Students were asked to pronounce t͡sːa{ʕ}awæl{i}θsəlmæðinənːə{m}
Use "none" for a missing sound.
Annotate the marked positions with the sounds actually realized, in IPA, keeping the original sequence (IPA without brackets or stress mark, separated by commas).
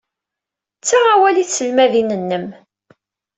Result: ʁ, i, m